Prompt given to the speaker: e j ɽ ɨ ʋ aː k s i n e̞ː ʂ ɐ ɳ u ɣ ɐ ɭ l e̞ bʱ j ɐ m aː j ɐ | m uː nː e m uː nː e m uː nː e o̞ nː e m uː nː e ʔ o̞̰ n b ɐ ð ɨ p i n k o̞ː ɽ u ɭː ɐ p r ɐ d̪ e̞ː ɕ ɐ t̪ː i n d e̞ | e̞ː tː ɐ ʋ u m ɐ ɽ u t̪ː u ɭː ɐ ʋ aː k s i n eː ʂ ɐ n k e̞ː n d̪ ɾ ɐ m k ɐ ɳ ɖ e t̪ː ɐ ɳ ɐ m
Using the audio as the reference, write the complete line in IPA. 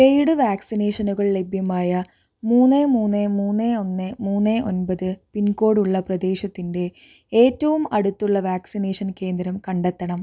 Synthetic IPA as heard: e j ɽ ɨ ʋ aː k s i n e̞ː ʂ ɐ n u ɣ ɐ ɭ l e̞ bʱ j ɐ m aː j ɐ | m uː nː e m uː nː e m uː nː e o̞ nː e m uː nː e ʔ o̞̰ n b ɐ ð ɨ p i n k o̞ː ɽ u ɭː ɐ p r ɐ d̪ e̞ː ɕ ɐ t̪ː i n d e̞ | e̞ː tː ɐ ʋ u m ɐ ɽ u t̪ː u ɭː ɐ ʋ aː k s i n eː ʂ ɐ n k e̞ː n d̪ ɾ ɐ m k ɐ ɳ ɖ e t̪ː ɐ ɳ ɐ m